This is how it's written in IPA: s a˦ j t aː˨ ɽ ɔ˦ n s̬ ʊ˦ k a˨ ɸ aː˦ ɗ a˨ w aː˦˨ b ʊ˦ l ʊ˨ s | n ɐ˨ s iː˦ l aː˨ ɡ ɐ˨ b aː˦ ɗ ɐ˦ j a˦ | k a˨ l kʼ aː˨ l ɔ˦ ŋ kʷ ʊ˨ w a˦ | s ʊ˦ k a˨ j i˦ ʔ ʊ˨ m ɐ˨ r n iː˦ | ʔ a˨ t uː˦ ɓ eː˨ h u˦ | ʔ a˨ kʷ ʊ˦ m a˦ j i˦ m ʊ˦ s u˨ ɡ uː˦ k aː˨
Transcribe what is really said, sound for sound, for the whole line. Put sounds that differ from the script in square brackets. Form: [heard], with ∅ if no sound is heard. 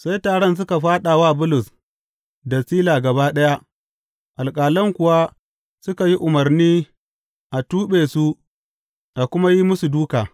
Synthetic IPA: s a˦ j t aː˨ ɽ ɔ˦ n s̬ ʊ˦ k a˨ ɸ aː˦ ɗ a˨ w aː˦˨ b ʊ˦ l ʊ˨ s | [d] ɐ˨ s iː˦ l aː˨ ɡ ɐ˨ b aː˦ ɗ ɐ˦ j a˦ | [ʔ] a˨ l kʼ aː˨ l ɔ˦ ŋ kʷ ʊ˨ w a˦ | s ʊ˦ k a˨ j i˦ ʔ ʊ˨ m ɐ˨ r n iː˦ | ʔ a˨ t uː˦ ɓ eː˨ [s] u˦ | ʔ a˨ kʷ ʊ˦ m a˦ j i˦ m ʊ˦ s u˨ [d] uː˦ k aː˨